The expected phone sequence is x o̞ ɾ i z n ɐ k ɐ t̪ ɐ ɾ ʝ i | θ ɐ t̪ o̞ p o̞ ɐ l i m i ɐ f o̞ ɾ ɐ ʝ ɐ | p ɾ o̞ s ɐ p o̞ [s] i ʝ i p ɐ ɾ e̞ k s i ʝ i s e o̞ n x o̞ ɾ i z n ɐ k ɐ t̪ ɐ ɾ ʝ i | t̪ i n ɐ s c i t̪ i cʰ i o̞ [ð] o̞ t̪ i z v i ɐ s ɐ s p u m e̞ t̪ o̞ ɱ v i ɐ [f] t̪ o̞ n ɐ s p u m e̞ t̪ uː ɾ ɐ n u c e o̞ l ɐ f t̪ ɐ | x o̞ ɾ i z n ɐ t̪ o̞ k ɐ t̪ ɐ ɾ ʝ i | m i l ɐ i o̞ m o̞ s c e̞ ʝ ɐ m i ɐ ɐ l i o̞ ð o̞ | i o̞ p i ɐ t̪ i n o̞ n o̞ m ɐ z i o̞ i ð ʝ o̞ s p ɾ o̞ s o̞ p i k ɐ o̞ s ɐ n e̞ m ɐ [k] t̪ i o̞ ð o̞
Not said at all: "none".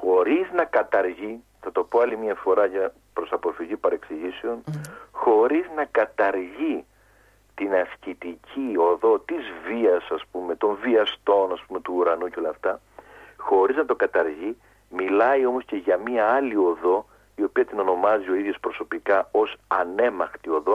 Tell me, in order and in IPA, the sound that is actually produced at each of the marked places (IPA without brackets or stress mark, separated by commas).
f, ð, s, x